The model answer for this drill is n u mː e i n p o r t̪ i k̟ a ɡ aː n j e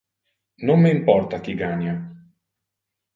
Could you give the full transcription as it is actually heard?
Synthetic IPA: n o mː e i m p ɔ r t̪ a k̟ i ɡ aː n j a